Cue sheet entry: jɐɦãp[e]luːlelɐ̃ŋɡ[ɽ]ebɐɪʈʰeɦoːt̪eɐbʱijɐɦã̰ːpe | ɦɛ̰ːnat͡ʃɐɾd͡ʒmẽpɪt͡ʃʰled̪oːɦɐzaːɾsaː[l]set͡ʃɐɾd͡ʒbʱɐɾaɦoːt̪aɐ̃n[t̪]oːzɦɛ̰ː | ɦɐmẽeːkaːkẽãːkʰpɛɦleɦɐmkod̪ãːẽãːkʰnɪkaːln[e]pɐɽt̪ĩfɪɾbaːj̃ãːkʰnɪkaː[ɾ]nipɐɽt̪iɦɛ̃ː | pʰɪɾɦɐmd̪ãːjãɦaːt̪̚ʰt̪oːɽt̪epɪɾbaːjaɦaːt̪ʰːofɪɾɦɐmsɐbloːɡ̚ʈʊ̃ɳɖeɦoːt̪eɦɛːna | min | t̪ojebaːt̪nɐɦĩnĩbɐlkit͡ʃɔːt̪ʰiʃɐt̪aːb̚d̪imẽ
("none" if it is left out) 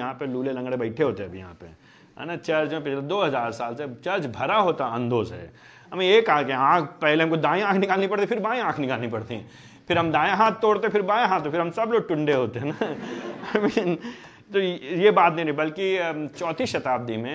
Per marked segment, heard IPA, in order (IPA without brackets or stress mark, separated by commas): e, ɽ, l, d̪, i, l